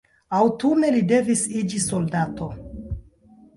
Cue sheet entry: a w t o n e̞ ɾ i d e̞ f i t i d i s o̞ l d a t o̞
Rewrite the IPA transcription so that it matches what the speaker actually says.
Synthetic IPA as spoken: a w t u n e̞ l i d e̞ v i s i d͡ʒ i s o̞ l d a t o̞